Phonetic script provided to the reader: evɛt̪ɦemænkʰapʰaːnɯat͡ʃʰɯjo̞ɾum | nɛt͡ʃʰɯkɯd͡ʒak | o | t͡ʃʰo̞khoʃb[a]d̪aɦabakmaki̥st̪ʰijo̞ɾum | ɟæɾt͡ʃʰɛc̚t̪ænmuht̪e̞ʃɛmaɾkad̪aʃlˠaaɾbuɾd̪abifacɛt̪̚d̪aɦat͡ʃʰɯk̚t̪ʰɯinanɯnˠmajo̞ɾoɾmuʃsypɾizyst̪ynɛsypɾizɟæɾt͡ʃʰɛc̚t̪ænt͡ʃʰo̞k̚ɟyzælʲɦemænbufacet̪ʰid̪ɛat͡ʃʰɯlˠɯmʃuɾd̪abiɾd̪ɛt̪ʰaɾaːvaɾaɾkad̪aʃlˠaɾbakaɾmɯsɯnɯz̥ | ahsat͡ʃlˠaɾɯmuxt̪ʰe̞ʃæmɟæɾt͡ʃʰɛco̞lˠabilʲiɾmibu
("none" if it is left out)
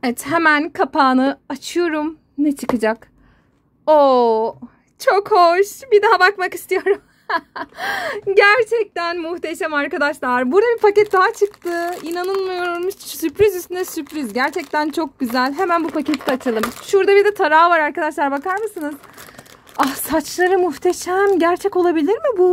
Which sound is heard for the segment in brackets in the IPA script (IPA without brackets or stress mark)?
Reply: i